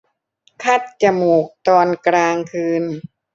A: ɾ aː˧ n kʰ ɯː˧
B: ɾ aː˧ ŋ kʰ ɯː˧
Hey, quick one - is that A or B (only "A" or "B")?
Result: B